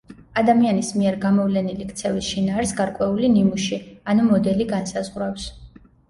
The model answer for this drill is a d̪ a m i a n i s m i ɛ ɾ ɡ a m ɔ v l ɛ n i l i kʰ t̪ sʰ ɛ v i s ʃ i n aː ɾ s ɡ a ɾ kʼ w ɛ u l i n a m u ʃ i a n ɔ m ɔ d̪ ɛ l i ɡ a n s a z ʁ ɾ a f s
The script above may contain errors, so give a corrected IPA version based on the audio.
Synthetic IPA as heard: a d̪ a m i a n i s m i ɛ ɾ ɡ a m ɔ v l ɛ n i l i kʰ t̪ sʰ ɛ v i s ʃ i n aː ɾ s ɡ a ɾ kʼ w ɛ u l i n i m u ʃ i a n u m ɔ d̪ ɛ l i ɡ a n s a z ʁ ɾ a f s